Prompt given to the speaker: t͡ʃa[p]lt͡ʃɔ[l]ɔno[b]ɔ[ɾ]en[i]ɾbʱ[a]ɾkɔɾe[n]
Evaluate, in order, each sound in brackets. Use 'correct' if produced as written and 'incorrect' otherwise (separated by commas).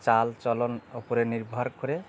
incorrect, correct, incorrect, correct, correct, correct, incorrect